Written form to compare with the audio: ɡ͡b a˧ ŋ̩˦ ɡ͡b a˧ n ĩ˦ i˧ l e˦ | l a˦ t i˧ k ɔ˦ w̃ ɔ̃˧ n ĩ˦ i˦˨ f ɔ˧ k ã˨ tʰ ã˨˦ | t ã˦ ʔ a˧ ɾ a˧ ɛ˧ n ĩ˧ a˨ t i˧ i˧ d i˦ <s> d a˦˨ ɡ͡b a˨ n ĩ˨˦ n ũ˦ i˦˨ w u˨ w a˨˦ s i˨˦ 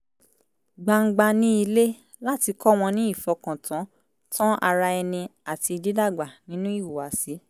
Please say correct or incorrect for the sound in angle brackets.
incorrect: none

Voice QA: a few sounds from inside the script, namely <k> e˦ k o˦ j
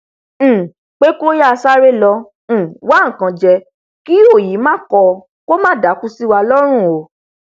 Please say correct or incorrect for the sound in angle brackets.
incorrect: k͡p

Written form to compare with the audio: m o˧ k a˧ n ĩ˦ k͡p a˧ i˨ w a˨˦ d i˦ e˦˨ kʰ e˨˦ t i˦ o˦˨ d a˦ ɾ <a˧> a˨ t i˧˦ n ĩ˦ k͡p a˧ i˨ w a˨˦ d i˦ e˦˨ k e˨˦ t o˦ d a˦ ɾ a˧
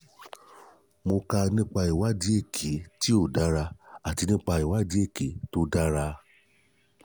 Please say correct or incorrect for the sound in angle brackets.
correct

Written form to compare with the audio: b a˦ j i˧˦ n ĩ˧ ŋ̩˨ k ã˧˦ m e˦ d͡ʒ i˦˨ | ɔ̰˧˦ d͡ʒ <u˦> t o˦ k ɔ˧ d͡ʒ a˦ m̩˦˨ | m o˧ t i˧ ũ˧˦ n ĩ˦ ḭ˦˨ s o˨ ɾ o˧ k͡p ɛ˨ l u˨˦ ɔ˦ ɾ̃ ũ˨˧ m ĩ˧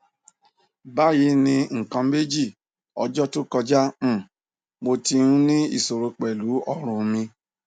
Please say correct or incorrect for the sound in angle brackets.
incorrect: ɔ˦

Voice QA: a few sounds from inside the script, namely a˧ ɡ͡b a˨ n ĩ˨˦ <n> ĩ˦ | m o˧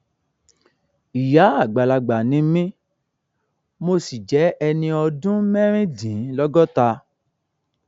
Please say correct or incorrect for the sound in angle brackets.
incorrect: m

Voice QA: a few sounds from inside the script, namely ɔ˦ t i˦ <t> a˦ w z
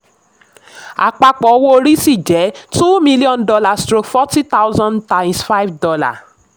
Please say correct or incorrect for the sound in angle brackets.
correct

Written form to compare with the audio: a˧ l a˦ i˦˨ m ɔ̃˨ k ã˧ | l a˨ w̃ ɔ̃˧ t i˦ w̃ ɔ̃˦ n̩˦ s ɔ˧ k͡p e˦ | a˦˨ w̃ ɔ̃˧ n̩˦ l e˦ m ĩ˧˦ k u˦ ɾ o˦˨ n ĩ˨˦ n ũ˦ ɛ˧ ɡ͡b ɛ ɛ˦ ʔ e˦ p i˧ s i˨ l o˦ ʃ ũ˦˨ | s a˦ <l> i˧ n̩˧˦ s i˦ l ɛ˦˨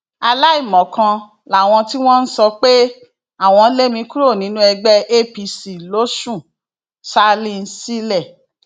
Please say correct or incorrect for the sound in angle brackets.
correct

